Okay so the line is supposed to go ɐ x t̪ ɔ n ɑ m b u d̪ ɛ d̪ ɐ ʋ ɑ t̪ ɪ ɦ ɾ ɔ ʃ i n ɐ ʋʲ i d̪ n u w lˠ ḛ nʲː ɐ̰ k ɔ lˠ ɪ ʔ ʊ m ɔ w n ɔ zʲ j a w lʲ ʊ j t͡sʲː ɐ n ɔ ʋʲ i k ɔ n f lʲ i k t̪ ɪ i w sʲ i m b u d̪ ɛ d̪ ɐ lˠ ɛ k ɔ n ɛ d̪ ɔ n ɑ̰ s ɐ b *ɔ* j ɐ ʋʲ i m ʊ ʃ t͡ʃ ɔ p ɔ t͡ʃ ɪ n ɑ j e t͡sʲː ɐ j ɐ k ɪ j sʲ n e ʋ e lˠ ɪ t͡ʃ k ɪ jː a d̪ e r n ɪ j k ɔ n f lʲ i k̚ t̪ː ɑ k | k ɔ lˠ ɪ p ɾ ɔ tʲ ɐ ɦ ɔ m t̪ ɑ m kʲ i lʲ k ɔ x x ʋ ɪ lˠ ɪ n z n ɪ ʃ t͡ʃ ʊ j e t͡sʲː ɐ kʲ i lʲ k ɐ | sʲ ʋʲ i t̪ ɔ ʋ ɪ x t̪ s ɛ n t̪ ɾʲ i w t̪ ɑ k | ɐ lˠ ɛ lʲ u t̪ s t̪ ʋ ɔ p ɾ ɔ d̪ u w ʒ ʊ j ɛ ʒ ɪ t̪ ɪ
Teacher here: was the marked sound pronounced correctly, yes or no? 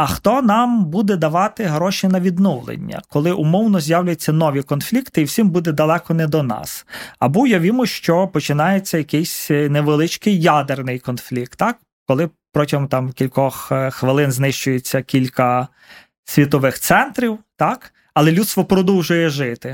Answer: no